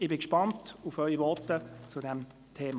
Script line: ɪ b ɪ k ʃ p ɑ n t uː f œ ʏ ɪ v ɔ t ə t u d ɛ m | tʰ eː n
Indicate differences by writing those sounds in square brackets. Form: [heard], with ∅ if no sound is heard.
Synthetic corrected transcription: ɪ b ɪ k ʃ p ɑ n t [u] f œ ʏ [i] v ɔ t ə [t͡s] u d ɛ m | tʰ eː [m]